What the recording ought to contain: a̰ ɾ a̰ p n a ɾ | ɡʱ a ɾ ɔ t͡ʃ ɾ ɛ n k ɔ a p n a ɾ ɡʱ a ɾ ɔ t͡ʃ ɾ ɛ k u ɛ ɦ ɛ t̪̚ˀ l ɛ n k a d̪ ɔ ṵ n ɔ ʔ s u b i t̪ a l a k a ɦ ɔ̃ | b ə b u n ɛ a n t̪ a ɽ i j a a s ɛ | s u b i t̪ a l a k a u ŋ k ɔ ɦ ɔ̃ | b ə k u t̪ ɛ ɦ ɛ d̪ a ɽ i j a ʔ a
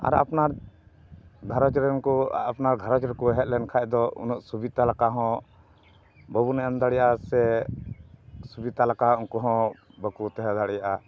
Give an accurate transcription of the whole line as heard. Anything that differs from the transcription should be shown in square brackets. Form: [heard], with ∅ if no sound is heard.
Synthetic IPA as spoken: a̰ ɾ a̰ p n a ɾ | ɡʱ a ɾ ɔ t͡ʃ ɾ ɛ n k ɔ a p n a ɾ ɡʱ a ɾ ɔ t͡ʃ ɾ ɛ k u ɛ ɦ ɛ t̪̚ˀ l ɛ n [kʰ] a d̪ ɔ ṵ n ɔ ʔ s u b i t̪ a l a k a ɦ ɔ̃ | b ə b u n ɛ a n [d̪] a ɽ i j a a s ɛ | s u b i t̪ a l a k a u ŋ k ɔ ɦ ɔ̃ | b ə k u t̪ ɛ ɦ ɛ d̪ a ɽ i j a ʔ a

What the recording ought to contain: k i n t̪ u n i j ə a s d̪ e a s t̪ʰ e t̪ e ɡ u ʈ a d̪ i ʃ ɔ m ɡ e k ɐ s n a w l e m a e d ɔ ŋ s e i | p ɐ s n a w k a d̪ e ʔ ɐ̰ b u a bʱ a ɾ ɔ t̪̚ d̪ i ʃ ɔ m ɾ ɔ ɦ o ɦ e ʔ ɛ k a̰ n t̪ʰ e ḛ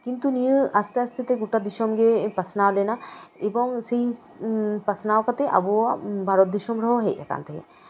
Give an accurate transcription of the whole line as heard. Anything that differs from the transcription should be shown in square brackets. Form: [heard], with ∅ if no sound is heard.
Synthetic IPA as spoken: k i n t̪ u n i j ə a s [t̪] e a s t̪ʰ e t̪ e ɡ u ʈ a d̪ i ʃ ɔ m ɡ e [p] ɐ s n a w l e [n] a e [b] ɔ ŋ s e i | p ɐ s n a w k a [t̪] e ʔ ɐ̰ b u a bʱ a ɾ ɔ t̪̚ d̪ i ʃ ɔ m ɾ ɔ ɦ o ɦ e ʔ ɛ k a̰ n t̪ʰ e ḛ

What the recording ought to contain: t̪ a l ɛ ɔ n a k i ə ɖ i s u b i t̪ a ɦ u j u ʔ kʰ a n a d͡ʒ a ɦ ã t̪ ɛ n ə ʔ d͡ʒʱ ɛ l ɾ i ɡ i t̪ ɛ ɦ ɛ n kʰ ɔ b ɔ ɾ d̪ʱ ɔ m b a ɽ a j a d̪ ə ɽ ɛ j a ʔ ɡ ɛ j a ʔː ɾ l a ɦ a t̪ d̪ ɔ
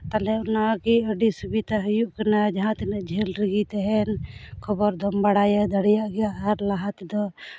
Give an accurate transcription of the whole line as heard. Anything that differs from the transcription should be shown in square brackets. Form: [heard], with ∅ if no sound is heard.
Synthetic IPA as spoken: t̪ a l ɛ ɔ n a k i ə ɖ i s u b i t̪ a ɦ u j u ʔ [k] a n a d͡ʒ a ɦ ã t̪ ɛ n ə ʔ d͡ʒʱ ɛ l ɾ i ɡ i t̪ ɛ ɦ ɛ n kʰ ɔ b ɔ ɾ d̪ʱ ɔ m b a ɽ a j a d̪ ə ɽ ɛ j a ʔ ɡ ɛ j a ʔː ɾ l a ɦ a t̪ d̪ ɔ

